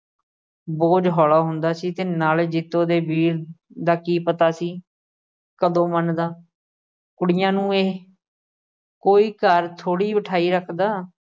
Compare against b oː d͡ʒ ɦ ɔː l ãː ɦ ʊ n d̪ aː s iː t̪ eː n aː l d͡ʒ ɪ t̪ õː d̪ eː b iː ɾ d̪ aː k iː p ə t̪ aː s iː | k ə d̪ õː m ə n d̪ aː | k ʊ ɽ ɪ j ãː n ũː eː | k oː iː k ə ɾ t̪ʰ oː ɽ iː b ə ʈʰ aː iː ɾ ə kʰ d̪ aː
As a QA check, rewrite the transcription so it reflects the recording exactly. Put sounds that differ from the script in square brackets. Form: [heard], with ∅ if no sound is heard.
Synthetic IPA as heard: b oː d͡ʒ ɦ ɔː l [aː] ɦ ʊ n d̪ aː s iː t̪ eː n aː l d͡ʒ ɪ t̪ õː d̪ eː b iː ɾ d̪ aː k iː p ə t̪ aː s iː | k ə d̪ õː m ə n d̪ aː | k ʊ ɽ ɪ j ãː n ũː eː | k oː iː k ə ɾ t̪ʰ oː ɽ iː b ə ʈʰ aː iː ɾ ə kʰ d̪ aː